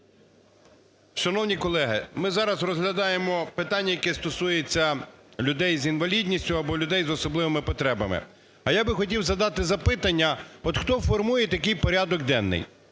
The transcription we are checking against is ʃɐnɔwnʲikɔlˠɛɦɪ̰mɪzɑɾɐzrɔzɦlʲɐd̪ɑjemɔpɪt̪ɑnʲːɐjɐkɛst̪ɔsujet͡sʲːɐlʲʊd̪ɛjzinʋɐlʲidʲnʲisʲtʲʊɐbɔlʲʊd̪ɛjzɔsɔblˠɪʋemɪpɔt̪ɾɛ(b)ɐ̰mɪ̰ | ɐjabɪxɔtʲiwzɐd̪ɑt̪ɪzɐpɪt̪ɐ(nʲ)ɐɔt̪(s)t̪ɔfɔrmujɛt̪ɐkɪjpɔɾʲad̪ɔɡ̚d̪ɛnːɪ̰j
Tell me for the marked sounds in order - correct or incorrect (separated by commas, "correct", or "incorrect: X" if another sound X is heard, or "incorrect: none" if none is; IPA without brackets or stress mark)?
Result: correct, incorrect: nʲː, incorrect: x